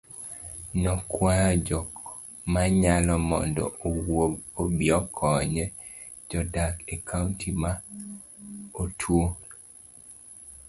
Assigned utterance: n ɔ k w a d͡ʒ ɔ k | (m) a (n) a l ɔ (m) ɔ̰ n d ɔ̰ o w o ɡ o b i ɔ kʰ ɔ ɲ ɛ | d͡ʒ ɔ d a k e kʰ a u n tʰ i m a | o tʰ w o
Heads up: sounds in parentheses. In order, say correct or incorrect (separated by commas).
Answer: correct, incorrect, correct